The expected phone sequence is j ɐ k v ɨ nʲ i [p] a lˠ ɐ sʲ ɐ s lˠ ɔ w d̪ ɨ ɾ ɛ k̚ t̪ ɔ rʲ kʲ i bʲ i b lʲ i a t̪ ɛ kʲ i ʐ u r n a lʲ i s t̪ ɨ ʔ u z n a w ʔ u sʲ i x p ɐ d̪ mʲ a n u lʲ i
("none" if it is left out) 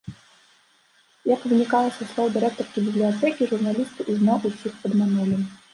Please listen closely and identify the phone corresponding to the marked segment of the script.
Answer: k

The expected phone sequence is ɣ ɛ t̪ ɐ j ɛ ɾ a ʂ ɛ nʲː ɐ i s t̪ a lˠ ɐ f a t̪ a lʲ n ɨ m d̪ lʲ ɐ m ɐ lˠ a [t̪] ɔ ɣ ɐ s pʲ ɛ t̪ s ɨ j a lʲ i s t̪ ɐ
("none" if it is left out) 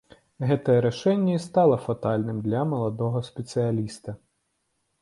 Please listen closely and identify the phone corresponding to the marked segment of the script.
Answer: d̪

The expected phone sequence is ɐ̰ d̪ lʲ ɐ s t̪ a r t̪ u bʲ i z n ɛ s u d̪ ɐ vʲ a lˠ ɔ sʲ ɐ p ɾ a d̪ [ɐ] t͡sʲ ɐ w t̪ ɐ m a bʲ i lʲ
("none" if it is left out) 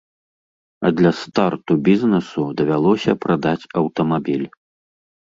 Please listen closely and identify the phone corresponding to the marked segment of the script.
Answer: a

